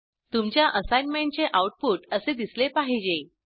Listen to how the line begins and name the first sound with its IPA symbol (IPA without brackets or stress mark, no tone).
t̪